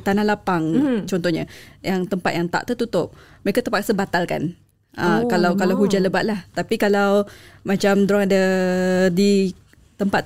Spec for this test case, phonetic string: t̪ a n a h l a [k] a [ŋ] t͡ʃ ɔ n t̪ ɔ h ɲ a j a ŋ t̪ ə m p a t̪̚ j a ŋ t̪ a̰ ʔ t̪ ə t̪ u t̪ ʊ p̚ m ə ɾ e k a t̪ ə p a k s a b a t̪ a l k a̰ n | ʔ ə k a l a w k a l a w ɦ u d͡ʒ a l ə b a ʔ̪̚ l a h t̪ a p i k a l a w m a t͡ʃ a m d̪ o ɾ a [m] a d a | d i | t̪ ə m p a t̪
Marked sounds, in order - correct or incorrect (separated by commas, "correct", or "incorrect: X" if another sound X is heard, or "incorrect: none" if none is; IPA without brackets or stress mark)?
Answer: incorrect: p, correct, incorrect: ŋ